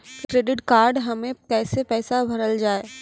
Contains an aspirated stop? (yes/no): no